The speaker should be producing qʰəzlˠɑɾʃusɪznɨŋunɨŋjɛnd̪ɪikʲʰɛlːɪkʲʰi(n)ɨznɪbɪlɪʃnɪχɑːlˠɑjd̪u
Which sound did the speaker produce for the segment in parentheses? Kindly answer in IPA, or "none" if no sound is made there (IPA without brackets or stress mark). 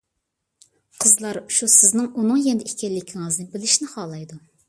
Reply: ŋ